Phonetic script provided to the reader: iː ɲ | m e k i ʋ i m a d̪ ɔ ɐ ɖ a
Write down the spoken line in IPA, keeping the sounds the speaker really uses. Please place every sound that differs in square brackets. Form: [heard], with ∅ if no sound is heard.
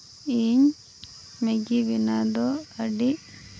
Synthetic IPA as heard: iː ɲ | m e [ɡ] i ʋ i [n] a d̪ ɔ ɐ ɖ [i]